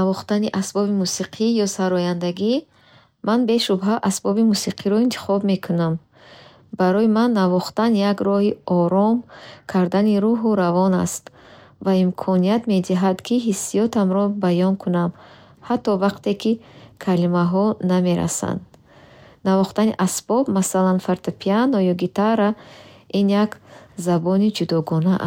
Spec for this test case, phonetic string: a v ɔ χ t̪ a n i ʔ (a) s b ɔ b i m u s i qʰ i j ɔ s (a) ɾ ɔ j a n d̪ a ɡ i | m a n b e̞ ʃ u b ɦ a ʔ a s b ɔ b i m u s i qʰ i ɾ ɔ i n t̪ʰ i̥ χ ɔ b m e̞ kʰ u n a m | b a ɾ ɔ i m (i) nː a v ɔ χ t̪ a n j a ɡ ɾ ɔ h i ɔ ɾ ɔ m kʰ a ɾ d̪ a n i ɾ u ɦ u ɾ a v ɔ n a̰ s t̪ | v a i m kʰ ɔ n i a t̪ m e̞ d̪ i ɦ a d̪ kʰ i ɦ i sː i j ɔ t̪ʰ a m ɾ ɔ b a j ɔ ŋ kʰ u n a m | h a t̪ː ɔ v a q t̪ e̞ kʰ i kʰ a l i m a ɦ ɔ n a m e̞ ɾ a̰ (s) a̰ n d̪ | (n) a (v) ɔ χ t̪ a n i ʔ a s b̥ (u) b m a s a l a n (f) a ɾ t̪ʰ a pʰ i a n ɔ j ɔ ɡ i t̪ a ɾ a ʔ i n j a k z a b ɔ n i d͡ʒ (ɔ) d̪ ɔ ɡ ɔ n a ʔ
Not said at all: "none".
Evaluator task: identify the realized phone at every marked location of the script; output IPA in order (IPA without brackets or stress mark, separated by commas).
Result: a, a, a, s, n, v, ɔ, f, u